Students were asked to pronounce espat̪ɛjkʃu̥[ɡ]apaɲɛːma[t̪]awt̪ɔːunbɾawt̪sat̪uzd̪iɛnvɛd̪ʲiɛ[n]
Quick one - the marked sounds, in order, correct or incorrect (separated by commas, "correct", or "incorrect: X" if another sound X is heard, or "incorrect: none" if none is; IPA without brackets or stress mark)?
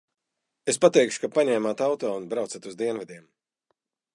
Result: incorrect: k, correct, incorrect: m